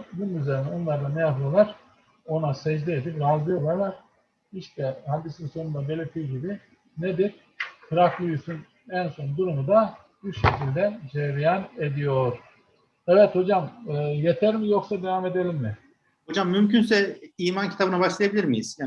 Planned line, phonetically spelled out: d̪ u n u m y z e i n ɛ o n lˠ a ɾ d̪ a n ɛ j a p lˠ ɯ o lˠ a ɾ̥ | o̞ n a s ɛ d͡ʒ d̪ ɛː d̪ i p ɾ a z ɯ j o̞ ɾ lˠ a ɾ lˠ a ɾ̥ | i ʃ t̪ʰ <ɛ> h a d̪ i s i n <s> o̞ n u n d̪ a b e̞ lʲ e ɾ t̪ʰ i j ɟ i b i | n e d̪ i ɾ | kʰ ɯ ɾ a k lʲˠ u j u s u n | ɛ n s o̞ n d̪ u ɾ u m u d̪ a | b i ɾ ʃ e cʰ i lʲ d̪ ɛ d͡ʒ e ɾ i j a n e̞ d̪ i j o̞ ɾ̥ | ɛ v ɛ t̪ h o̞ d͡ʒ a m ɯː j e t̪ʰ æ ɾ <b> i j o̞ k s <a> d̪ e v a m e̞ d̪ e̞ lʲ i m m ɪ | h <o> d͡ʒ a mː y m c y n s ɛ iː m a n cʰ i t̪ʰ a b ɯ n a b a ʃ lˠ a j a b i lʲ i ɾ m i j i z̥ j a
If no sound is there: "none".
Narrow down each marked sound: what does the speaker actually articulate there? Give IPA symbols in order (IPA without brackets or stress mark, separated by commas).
ɛ, s, m, a, o